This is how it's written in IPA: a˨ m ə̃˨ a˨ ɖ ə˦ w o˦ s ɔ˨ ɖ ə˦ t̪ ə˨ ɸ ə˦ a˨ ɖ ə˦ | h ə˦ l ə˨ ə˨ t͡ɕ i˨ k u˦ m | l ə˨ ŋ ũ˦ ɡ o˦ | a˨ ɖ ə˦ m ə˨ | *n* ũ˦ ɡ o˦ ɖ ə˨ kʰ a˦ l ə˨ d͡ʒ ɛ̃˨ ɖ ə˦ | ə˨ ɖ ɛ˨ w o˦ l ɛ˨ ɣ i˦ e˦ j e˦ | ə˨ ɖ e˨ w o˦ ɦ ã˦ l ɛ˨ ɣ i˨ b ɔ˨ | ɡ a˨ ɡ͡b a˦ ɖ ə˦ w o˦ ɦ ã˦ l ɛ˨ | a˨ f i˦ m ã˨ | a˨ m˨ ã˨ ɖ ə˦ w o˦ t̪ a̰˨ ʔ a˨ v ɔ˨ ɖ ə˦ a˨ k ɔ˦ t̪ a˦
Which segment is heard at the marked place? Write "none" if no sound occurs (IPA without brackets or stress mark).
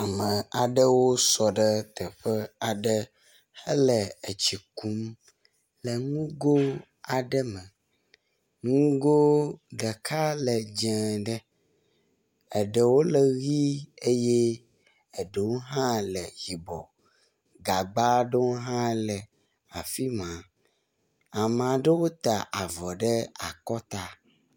ŋ